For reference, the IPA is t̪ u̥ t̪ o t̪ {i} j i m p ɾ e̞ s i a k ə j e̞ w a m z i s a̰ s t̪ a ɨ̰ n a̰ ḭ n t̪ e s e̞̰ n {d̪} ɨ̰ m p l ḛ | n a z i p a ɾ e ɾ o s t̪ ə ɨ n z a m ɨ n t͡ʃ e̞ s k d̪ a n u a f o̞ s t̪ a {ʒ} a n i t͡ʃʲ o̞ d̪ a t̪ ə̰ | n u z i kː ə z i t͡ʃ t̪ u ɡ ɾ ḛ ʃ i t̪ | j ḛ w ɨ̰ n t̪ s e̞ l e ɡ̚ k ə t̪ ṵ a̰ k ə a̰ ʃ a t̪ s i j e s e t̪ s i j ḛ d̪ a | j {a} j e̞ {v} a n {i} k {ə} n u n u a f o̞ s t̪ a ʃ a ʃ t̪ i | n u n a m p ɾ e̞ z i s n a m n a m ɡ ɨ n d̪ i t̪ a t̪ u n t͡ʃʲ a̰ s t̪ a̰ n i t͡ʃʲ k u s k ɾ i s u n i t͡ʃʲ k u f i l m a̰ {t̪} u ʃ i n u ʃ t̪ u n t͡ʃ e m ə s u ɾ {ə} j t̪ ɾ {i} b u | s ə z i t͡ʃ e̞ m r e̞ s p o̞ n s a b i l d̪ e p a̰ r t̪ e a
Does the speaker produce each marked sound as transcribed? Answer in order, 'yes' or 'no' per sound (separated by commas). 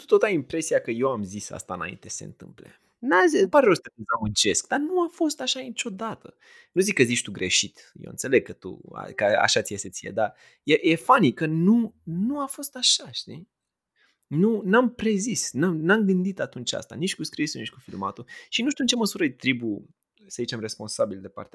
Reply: no, no, no, no, no, yes, yes, yes, yes, yes